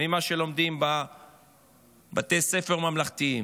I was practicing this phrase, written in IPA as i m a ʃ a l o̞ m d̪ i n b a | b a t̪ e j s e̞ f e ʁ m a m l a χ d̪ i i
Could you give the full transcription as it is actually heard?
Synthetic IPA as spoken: i m a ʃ e l o̞ m d̪ i m b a | b a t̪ e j s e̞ f e ʁ m a m l a χ t̪ i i